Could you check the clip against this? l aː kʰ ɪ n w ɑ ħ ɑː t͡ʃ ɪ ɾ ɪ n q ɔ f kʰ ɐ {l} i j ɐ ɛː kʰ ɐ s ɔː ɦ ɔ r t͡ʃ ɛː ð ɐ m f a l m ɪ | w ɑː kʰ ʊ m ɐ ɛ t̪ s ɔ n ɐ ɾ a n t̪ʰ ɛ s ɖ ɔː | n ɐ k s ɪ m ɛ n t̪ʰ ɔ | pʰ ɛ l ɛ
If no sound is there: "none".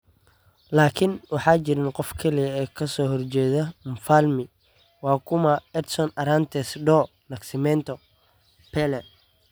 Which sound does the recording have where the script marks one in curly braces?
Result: l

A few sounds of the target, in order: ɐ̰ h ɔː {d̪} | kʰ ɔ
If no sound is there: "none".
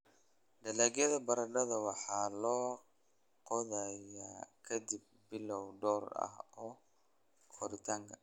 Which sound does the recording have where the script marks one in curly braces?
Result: none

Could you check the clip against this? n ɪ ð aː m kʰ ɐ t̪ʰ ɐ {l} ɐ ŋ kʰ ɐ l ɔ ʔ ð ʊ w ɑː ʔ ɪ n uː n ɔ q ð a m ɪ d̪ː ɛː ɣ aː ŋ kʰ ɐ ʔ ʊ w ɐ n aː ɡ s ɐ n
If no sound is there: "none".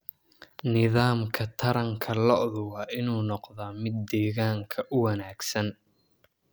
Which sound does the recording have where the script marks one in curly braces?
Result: ɾ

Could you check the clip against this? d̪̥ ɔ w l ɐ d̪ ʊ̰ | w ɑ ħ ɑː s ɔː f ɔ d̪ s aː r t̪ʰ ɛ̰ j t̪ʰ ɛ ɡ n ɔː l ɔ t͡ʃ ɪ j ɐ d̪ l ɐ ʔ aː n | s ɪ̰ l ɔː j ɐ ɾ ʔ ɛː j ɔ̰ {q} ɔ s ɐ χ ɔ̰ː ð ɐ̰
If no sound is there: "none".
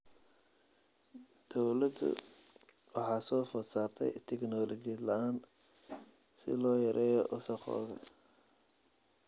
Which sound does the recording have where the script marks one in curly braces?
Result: ʔ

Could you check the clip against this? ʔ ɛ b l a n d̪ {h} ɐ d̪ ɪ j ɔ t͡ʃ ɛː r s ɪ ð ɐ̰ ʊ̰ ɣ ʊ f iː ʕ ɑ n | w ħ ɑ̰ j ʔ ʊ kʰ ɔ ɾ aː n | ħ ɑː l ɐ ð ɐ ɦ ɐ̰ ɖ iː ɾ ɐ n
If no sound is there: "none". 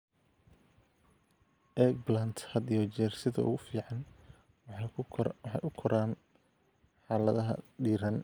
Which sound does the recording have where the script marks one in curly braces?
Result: h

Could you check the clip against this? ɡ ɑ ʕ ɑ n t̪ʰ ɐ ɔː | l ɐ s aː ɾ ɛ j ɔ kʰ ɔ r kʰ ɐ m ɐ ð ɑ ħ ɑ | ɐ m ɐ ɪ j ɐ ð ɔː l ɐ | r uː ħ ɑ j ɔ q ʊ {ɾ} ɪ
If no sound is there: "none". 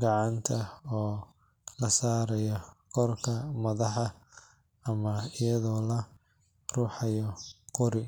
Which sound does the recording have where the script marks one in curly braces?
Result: ɾ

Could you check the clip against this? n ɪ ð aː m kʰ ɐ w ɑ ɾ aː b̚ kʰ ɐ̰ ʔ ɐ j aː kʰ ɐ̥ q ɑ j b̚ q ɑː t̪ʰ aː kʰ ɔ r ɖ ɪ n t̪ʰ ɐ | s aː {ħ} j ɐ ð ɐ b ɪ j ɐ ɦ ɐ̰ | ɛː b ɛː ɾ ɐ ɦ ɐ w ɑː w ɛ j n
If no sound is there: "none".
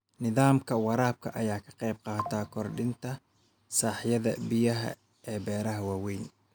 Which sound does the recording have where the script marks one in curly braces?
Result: ħ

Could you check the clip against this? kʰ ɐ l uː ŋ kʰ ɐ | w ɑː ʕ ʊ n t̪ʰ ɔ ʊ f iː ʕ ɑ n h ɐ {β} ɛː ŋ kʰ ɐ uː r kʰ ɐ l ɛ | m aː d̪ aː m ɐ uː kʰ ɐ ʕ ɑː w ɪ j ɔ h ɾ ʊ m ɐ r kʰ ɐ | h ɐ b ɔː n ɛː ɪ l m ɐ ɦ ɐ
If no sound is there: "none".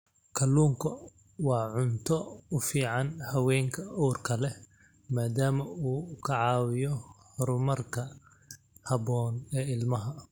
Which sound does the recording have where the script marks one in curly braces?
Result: w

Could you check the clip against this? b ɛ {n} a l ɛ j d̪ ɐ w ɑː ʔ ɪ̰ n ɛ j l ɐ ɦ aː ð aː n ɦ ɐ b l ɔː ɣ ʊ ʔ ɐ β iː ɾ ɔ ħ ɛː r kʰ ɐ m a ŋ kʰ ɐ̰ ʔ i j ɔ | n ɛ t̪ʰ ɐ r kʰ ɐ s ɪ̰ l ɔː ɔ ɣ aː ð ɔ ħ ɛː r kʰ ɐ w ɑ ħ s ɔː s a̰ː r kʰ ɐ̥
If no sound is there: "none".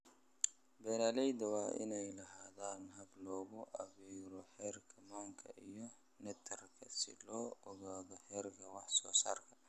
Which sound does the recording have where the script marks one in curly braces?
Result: n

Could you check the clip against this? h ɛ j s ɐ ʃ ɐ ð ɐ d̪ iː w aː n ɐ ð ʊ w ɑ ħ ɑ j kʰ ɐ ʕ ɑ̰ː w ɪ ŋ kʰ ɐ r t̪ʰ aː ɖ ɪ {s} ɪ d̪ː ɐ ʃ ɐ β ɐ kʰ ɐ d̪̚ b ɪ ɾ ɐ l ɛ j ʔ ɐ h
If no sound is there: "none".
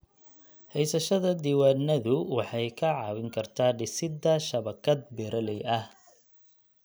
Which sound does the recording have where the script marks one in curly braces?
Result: s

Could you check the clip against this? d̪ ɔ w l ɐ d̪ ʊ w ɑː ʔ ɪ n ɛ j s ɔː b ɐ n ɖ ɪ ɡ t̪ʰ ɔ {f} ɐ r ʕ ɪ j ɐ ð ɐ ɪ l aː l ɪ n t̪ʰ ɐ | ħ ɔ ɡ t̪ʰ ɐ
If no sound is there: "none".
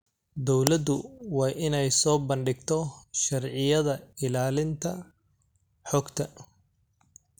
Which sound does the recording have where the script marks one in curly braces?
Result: ʃ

